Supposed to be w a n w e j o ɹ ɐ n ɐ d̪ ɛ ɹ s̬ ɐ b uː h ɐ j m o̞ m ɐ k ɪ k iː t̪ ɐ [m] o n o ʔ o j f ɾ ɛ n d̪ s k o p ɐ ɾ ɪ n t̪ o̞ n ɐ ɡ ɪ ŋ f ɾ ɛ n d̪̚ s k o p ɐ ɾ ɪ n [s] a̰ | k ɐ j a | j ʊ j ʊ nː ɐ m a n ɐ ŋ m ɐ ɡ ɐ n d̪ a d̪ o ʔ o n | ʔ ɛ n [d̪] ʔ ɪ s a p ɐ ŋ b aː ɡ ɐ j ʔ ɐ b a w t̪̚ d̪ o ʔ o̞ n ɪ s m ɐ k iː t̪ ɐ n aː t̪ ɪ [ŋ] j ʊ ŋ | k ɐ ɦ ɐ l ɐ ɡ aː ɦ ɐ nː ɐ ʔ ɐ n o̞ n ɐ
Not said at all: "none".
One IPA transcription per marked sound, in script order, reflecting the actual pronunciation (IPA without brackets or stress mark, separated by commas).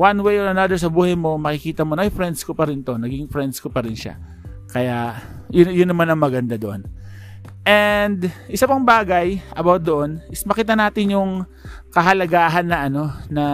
m, ʃ, d̪, n